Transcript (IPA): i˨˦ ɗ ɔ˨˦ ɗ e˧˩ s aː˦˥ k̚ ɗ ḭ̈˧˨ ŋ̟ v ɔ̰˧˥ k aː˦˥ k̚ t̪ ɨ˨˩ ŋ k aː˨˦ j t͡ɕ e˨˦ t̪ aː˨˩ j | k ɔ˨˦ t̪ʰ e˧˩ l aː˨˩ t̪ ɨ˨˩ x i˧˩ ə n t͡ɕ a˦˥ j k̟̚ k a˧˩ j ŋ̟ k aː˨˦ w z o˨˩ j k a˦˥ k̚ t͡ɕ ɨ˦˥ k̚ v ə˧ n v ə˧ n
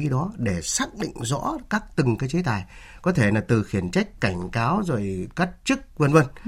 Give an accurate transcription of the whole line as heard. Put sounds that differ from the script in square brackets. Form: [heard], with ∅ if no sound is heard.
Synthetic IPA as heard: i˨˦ ɗ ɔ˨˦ ɗ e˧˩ s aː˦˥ k̚ ɗ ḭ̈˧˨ ŋ̟ [z] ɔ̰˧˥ k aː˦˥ k̚ t̪ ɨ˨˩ ŋ k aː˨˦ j t͡ɕ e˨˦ t̪ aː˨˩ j | k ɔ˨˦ t̪ʰ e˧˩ l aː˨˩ t̪ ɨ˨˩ x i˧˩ ə n t͡ɕ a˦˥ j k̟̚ k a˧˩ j ŋ̟ k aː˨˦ w z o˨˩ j k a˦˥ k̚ t͡ɕ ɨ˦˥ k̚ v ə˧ n v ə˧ n